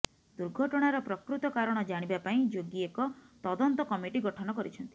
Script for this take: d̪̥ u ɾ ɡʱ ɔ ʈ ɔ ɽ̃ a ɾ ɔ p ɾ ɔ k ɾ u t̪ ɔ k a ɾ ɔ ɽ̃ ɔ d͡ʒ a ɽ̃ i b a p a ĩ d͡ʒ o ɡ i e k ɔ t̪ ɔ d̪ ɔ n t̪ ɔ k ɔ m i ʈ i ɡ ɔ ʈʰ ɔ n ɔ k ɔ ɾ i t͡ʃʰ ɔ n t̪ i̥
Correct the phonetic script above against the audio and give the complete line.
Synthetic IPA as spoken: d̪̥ u ɾ ɡʱ ɔ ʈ ɔ ɽ̃ a ɾ ɔ p ɾ ɔ k ɾ u t̪ ɔ k a ɾ ɔ ɽ̃ ɔ d͡ʒ a ɽ̃ i b a p a ĩ d͡ʒ o ɡ i e k ɔ t̪ ɔ d̪ ɔ n t̪ ɔ k ɔ m i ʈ i ɡ ɔ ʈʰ ɔ n ɔ k ɔ ɾ i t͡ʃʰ ɔ n t̪ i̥